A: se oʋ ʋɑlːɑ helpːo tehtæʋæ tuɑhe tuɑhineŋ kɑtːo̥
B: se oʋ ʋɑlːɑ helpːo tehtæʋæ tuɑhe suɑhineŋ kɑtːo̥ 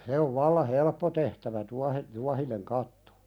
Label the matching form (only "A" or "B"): A